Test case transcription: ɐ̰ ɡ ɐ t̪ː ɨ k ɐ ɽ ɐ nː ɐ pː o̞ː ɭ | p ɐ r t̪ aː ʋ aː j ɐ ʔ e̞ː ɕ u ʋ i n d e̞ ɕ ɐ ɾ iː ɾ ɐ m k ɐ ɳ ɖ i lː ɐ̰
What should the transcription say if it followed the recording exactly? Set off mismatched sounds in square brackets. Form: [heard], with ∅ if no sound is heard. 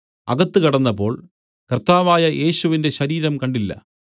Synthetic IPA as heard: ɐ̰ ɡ ɐ t̪ː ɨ k ɐ ɽ ɐ nː ɐ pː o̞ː ɭ | [k] ɐ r t̪ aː ʋ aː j ɐ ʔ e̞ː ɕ u ʋ i n d e̞ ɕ ɐ ɾ iː ɾ ɐ m k ɐ ɳ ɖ i lː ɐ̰